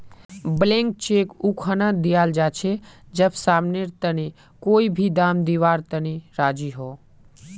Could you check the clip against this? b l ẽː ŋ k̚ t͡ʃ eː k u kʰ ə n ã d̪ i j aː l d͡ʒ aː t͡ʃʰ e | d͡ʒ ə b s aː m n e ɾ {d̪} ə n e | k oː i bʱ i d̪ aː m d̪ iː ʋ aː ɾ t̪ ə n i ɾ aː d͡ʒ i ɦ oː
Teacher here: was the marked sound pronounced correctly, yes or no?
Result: no